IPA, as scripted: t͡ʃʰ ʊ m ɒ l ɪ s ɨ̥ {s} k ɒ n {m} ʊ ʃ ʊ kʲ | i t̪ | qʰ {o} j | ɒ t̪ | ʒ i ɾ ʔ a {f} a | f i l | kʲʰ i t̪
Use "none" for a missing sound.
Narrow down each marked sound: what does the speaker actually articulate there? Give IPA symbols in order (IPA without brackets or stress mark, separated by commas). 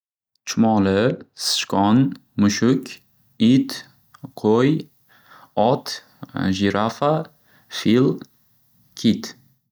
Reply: ʃ, m, o, f